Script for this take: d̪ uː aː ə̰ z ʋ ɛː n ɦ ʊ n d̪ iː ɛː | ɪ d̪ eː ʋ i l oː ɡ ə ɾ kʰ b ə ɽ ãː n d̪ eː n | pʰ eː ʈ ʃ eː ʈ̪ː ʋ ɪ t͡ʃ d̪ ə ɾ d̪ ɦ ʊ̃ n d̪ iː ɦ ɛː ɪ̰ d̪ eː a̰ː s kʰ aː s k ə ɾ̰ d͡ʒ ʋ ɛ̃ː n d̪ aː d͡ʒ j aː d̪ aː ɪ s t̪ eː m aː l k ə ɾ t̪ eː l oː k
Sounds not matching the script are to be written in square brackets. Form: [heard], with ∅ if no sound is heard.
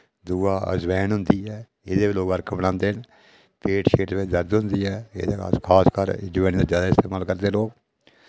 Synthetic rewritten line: d̪ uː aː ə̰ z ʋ ɛː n ɦ ʊ n d̪ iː ɛː | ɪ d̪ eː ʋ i l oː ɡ ə ɾ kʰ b ə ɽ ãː n d̪ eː n | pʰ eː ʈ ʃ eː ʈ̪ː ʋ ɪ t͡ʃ d̪ ə ɾ d̪ ɦ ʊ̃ n d̪ iː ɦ ɛː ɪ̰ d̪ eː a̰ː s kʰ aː s k ə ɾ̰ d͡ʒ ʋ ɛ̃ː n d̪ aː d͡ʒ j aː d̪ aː ɪ s t̪ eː m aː l k ə ɾ [d̪] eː l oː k